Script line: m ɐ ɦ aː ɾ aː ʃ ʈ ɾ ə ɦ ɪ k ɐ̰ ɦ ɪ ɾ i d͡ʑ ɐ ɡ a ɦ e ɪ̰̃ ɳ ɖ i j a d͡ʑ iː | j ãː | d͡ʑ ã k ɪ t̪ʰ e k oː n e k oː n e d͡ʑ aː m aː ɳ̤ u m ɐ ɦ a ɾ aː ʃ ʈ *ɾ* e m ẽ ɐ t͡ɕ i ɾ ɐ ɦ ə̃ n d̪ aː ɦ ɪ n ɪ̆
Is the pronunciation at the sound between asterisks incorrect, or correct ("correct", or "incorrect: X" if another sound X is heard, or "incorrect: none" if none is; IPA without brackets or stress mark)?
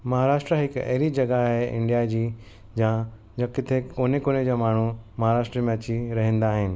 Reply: correct